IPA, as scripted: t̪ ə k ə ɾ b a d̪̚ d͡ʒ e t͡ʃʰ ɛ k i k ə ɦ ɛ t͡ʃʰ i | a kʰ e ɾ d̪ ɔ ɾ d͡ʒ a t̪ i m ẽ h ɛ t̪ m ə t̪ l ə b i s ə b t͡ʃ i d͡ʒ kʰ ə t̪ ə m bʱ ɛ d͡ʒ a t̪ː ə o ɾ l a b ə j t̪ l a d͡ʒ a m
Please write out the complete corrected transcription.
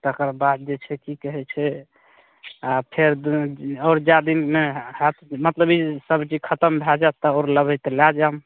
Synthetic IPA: t̪ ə k ə ɾ b a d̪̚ d͡ʒ e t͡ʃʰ ɛ k i k ə ɦ ɛ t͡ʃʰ ɛ | a pʰ e ɾ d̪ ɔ ɾ d͡ʒ a d̪ i m e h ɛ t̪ m ə t̪ l ə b i s ə b t͡ʃ i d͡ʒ kʰ ə t̪ ə m bʱ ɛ d͡ʒ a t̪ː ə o ɾ l ə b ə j t̪ l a d͡ʒ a m